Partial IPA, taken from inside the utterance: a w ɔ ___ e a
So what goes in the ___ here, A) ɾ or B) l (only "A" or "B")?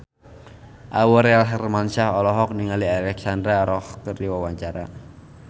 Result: A